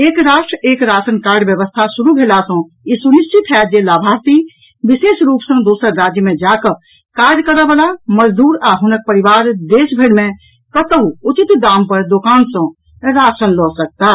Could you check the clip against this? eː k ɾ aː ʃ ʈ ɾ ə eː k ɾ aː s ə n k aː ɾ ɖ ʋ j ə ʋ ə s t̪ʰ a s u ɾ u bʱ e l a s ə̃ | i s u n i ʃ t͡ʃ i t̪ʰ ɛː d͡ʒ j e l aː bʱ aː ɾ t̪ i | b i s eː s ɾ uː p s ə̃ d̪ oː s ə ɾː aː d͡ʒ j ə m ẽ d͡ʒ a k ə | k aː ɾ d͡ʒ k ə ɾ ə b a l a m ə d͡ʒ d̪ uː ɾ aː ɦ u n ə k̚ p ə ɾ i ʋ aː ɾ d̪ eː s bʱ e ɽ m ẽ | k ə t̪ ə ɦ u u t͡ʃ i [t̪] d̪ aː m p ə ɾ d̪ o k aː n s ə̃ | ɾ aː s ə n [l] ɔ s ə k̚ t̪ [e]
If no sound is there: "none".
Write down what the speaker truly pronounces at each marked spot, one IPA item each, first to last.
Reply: t̪, l, a

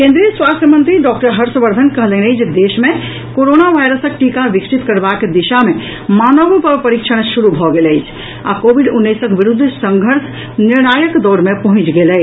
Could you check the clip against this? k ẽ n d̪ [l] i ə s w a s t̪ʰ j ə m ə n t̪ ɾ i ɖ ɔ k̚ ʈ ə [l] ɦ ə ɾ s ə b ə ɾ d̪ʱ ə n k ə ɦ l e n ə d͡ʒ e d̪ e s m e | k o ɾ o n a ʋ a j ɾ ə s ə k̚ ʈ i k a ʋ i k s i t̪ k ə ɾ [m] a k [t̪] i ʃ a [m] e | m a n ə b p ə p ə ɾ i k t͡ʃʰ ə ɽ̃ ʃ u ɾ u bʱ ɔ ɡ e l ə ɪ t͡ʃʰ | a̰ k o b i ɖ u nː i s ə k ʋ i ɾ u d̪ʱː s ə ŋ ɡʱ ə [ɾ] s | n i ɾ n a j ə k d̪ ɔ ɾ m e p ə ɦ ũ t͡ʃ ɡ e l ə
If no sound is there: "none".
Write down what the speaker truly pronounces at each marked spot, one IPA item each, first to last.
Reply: ɾ, ɾ, b, d̪, m, ɾ

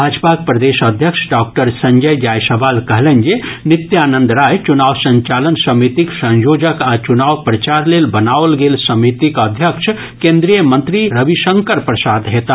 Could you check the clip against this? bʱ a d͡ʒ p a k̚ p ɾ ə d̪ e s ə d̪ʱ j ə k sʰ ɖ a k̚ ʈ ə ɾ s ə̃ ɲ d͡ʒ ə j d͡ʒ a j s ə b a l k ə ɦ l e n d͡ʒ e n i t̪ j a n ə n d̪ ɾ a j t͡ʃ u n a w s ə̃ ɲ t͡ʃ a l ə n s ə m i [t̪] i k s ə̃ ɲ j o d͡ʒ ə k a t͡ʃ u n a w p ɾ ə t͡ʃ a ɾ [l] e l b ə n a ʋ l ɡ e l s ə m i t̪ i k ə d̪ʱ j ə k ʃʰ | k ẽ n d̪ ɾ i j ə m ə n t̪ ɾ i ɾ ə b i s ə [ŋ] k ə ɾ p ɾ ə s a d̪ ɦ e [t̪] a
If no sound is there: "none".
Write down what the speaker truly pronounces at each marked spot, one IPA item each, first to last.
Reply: t̪, l, ŋ, t̪

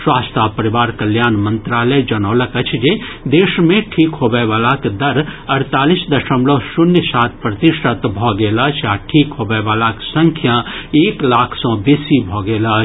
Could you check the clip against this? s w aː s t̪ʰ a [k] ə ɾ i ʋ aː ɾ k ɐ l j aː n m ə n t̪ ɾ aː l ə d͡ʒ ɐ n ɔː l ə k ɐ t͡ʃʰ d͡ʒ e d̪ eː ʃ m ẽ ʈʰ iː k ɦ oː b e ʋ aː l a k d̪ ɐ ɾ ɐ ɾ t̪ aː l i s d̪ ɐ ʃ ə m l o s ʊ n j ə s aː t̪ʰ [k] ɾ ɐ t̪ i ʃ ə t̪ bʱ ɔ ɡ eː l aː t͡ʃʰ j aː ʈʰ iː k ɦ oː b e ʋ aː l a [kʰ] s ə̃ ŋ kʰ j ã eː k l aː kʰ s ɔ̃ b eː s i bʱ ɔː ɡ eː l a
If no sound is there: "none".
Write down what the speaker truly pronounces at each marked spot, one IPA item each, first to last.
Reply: p, p, k

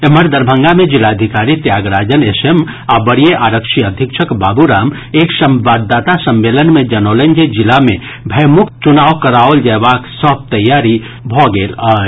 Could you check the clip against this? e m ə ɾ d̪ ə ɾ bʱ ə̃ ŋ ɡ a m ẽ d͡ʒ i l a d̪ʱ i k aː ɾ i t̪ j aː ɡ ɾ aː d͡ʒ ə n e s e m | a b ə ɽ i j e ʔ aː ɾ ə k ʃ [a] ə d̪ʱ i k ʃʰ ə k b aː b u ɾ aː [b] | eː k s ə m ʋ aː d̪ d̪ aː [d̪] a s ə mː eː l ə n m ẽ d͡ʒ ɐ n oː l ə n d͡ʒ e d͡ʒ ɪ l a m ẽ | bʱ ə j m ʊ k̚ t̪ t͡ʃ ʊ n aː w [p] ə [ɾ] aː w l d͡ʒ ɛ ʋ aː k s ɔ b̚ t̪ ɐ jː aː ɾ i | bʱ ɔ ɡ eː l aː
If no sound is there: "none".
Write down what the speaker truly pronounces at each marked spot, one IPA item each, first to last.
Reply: i, m, t̪, k, ɾ

